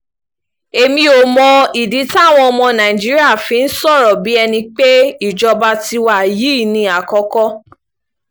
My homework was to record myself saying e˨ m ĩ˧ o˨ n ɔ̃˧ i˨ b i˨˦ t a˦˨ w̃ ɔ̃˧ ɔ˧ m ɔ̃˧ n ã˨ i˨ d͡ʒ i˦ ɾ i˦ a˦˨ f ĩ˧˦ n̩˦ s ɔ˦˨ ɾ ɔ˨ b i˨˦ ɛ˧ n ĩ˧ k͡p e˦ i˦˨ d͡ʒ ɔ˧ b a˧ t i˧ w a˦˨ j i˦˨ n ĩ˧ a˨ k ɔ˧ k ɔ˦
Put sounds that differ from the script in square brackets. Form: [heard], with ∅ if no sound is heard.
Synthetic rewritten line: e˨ m ĩ˧ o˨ [m] ɔ̃˧ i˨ [d] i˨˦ t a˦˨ w̃ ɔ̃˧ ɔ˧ m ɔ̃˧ n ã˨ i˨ d͡ʒ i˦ ɾ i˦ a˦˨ f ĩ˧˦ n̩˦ s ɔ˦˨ ɾ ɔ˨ b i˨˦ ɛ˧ n ĩ˧ k͡p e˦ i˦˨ d͡ʒ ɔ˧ b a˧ t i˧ w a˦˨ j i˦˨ n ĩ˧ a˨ k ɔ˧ k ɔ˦